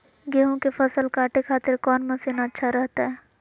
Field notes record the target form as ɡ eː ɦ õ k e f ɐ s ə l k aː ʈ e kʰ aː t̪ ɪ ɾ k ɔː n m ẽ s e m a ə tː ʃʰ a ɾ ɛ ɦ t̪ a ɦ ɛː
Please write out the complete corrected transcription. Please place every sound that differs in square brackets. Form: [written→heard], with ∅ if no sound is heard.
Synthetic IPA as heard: ɡ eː ɦ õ k e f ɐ s ə l k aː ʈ e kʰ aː t̪ ɪ ɾ k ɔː n m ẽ s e [m→n] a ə tː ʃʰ a ɾ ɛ ɦ t̪ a ɦ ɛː